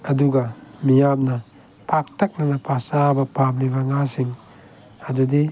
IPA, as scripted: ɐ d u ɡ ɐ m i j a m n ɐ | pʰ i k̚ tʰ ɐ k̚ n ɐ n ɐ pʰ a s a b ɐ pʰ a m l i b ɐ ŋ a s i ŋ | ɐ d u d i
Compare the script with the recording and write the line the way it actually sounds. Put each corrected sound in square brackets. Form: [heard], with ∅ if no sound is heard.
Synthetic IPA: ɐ d u ɡ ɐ m i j a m n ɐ | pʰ [a] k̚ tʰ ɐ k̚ n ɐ n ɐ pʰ a s a b ɐ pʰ a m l i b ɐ ŋ a s i ŋ | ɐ d u d i